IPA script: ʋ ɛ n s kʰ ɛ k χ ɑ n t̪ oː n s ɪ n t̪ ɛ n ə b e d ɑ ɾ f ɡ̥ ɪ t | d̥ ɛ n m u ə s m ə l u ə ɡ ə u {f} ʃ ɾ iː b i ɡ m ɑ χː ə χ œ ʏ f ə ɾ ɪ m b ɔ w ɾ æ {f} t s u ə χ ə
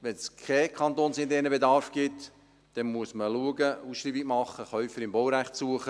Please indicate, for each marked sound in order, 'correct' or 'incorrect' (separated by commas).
incorrect, incorrect